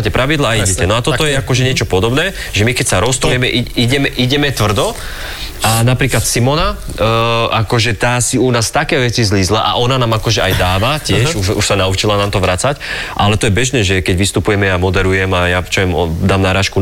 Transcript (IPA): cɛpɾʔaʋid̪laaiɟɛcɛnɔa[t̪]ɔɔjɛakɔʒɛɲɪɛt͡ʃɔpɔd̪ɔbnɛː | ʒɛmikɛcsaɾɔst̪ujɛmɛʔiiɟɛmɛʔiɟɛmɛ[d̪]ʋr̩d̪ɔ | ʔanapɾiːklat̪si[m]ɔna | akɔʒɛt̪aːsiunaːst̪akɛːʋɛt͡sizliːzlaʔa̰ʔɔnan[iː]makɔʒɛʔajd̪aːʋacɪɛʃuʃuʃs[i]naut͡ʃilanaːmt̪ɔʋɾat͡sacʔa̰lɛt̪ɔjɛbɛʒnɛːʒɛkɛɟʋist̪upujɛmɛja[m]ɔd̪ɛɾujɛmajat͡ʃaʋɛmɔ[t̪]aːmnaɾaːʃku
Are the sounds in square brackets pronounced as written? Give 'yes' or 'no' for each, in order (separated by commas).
yes, no, yes, no, no, yes, no